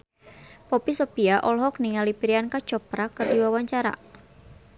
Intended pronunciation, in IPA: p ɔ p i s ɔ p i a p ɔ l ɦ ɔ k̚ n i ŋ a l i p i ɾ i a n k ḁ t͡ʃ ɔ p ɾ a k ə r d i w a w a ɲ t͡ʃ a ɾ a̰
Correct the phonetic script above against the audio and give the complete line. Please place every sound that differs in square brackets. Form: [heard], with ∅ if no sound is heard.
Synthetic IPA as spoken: p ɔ p i s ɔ p i a [ʔ] ɔ l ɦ ɔ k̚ n i ŋ a l i p i ɾ i a n k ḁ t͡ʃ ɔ p ɾ a k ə r d i w a w a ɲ t͡ʃ a ɾ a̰